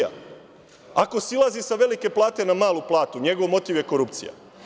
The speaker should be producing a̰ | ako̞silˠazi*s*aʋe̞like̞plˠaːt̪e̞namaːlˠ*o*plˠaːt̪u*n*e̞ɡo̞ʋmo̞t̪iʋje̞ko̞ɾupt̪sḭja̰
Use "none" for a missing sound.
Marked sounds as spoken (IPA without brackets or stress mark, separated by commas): s, u, ɲ